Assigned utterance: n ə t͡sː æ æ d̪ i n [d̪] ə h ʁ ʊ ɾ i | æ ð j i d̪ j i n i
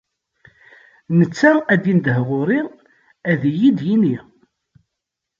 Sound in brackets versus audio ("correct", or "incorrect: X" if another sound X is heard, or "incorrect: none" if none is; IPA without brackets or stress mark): correct